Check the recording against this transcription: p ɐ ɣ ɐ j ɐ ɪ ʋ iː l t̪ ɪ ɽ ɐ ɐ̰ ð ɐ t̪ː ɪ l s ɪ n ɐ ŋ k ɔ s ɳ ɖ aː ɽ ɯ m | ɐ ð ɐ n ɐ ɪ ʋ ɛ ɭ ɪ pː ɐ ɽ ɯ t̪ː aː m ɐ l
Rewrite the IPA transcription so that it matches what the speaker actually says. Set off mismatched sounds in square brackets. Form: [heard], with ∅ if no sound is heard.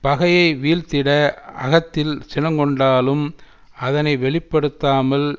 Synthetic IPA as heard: p ɐ ɣ ɐ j ɐ ɪ ʋ iː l t̪ ɪ ɽ ɐ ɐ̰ [ɣ] ɐ t̪ː ɪ l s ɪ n ɐ ŋ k ɔ [∅] ɳ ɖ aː [l] ɯ m | ɐ ð ɐ n ɐ ɪ ʋ ɛ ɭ ɪ pː ɐ ɽ ɯ t̪ː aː m ɐ l